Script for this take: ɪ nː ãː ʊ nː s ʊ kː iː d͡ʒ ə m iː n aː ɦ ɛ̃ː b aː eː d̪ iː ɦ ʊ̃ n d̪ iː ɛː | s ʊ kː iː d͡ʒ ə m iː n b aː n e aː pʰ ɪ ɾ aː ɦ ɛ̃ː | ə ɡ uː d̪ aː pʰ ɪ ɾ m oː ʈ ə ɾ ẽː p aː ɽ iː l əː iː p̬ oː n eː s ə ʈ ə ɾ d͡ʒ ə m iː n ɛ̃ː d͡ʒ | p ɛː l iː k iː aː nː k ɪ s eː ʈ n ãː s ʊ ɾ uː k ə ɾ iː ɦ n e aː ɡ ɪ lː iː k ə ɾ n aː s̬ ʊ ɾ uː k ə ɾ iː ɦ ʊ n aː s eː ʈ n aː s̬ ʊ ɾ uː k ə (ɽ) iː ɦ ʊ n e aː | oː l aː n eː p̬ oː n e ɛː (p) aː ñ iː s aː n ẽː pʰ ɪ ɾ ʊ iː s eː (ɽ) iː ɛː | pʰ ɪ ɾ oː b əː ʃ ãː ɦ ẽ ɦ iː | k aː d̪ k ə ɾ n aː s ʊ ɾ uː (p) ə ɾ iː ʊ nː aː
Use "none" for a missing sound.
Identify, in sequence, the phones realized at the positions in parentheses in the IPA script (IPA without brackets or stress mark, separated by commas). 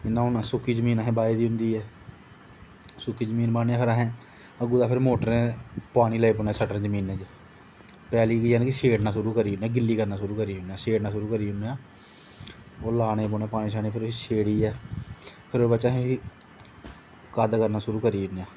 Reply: ɾ, p, ɽ, k